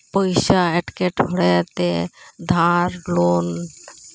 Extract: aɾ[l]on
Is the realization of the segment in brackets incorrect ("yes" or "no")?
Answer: no